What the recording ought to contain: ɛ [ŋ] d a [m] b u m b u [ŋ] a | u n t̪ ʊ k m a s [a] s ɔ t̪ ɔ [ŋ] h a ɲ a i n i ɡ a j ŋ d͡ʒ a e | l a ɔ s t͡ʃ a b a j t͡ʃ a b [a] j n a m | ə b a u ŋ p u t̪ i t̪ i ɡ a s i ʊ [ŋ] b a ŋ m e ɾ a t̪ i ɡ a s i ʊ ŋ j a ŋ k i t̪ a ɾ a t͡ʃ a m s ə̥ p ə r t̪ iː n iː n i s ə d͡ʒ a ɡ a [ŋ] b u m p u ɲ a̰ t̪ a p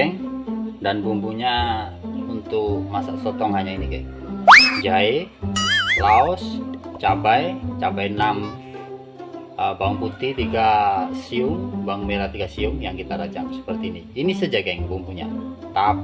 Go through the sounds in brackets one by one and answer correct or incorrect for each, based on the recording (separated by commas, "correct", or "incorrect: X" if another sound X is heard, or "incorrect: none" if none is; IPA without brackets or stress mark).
correct, incorrect: n, incorrect: ɲ, correct, correct, correct, correct, correct